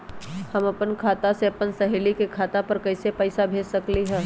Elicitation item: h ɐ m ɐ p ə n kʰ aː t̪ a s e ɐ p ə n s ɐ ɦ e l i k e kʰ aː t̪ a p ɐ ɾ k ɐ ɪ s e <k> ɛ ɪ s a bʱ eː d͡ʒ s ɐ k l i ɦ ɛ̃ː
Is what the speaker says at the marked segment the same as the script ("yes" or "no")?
no